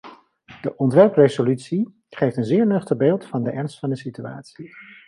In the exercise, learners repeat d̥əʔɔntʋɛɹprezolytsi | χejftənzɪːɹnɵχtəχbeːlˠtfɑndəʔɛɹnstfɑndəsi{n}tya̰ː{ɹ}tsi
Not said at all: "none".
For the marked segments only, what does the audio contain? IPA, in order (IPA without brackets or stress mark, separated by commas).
none, none